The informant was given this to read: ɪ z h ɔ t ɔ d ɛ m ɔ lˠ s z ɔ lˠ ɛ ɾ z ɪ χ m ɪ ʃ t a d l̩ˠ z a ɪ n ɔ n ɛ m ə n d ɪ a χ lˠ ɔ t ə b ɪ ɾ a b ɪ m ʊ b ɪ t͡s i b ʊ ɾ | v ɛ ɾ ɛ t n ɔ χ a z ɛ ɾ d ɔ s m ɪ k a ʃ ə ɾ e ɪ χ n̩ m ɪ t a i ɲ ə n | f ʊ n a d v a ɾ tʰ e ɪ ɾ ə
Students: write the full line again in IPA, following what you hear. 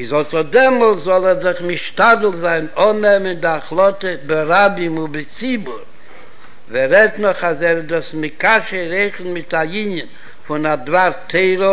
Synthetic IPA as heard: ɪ z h ɔ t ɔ d ɛ m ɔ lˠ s z ɔ lˠ ɛ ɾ z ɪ χ m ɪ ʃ t a d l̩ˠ z a ɪ n ɔ n ɛ m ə n d ɪ a χ lˠ ɔ t ə b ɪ ɾ a b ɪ m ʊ b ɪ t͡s i b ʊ ɾ | v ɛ ɾ ɛ t n ɔ χ a z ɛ ɾ d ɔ s m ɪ k a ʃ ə ɾ e ɪ χ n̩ m ɪ t a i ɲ ə n | f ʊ n a d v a ɾ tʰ e ɪ ɾ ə